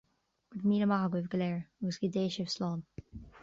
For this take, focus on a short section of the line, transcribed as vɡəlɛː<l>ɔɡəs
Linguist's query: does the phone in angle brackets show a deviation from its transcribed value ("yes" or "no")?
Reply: yes